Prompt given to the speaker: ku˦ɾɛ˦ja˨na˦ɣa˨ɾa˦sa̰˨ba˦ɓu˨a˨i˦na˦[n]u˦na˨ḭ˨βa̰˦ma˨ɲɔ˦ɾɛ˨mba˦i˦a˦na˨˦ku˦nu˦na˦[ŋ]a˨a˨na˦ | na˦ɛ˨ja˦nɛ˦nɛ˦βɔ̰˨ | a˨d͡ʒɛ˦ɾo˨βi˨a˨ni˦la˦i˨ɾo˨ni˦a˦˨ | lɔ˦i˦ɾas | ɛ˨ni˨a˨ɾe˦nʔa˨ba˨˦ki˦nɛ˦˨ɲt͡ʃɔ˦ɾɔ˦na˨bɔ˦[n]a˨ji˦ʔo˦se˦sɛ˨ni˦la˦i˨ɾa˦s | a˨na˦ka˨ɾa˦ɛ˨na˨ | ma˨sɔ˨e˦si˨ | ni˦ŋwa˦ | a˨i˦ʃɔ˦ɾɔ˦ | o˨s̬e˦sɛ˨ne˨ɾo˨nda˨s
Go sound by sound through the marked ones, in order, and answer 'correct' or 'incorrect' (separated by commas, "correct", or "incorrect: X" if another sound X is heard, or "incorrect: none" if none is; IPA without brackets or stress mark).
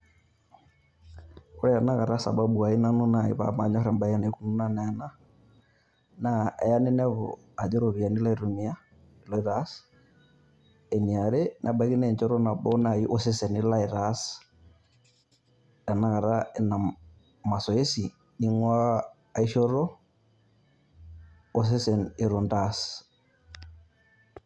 correct, incorrect: n, correct